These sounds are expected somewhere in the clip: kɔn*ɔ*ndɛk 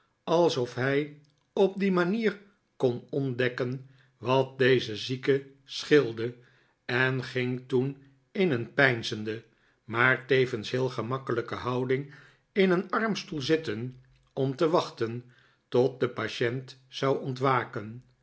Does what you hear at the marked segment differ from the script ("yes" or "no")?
no